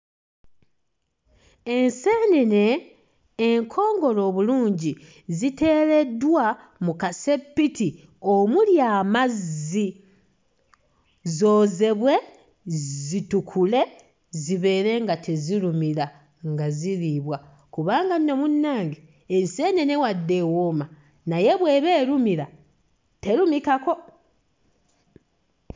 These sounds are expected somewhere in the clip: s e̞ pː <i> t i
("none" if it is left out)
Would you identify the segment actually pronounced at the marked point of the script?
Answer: i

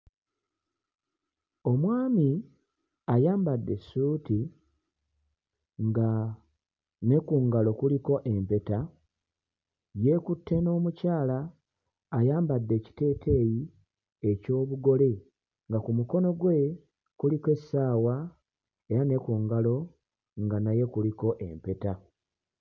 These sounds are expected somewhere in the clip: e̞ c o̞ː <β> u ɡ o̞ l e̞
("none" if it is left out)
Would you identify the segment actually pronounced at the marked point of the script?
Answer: β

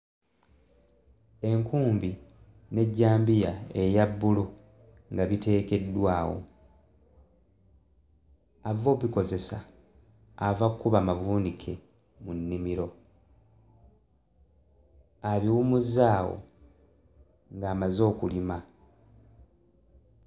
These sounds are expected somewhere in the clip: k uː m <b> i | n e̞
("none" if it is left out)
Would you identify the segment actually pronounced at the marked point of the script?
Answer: b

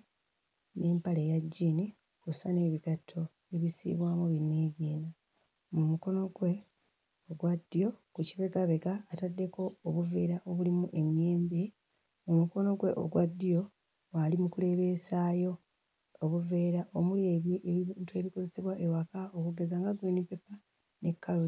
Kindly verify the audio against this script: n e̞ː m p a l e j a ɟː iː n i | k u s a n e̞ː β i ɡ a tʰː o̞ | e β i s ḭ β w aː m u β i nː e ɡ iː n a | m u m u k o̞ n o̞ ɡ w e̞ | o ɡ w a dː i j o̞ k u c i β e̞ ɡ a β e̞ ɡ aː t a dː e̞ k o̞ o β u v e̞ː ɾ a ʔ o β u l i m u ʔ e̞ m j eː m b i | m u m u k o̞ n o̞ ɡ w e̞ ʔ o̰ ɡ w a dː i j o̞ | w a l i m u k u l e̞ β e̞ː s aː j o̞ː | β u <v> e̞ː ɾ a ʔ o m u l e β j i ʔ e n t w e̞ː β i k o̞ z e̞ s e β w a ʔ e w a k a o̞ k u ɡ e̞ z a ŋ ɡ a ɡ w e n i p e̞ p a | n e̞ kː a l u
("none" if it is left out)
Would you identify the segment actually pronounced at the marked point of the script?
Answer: v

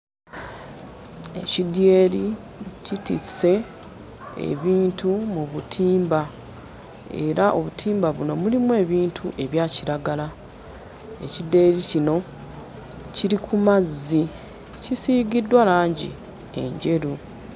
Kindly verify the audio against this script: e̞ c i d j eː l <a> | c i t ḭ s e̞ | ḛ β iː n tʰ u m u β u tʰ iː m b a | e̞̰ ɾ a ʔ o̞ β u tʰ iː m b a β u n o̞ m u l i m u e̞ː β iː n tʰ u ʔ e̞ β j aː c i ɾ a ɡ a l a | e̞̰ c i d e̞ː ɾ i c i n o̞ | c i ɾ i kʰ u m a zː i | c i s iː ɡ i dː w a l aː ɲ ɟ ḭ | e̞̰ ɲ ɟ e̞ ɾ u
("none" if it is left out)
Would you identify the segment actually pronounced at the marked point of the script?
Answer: i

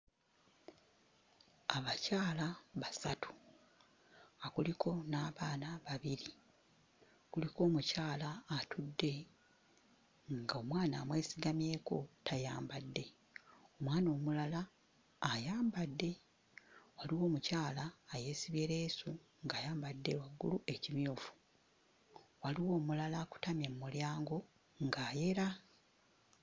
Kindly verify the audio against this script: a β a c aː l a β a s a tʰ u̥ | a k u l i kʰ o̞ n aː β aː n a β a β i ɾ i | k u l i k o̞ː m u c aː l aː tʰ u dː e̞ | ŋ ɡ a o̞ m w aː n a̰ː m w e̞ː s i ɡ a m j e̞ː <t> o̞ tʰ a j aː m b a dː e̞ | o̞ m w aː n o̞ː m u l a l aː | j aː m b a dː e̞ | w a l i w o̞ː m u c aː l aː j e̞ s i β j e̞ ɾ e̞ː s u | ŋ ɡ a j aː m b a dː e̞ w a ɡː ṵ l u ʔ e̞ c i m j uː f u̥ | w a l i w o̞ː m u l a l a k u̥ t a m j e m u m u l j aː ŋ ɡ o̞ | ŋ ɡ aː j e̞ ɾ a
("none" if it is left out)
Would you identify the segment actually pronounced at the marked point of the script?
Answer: k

